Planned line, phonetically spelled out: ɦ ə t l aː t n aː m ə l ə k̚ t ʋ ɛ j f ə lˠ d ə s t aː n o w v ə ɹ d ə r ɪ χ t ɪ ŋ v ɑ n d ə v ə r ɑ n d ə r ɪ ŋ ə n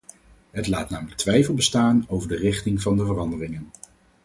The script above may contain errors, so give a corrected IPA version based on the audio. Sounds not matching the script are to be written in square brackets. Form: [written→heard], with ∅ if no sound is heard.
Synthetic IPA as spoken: ɦ ə t l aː t n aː m ə l ə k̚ t ʋ ɛ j f ə lˠ [d→b] ə s t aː n o w v ə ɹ d ə r ɪ χ t ɪ ŋ v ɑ n d ə v ə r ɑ n d ə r ɪ ŋ ə n